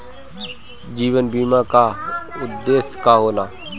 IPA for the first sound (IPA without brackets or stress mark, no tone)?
d͡ʒ